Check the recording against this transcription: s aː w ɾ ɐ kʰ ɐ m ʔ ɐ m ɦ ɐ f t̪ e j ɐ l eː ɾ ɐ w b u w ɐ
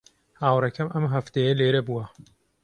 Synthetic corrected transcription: h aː w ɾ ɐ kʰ ɐ m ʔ ɐ m ɦ ɐ f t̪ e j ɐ l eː ɾ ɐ b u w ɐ